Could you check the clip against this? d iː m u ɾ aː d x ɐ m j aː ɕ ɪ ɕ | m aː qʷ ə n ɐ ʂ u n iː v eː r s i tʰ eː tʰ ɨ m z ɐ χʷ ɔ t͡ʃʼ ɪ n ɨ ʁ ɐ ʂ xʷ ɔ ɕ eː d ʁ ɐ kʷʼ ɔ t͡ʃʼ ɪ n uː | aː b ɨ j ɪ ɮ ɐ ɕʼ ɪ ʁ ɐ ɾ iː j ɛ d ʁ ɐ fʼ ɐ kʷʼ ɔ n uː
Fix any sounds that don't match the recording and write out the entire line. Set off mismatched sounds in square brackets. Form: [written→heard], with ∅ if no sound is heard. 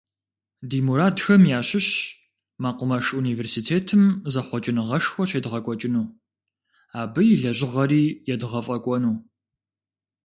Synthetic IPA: d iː m u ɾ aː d x ɐ m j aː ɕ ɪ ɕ | m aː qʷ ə [n→m] ɐ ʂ u n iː v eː r s i tʰ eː tʰ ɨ m z ɐ χʷ ɔ t͡ʃʼ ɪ n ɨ ʁ ɐ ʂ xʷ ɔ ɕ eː d ʁ ɐ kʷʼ ɔ t͡ʃʼ ɪ n uː | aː b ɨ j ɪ ɮ ɐ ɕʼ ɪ ʁ ɐ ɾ iː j ɛ d ʁ ɐ fʼ ɐ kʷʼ ɔ n uː